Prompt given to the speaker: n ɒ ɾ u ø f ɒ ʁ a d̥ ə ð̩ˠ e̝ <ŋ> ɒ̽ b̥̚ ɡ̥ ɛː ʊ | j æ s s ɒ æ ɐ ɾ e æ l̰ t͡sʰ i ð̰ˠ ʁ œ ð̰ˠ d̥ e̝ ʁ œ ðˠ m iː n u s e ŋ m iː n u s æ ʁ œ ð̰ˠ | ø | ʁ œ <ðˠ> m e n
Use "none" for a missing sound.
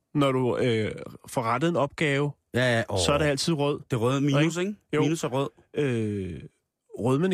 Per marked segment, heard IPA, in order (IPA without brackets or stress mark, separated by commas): n, ðˠ